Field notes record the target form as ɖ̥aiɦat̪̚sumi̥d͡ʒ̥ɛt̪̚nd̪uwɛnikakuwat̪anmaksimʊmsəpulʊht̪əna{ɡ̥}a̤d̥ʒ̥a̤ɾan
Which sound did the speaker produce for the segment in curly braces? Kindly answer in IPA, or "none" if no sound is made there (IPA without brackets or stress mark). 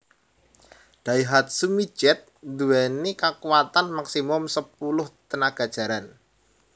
ɡ̥